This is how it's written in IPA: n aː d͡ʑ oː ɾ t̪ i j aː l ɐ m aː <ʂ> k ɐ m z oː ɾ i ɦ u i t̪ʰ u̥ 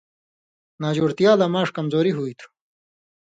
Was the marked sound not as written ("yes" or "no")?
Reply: no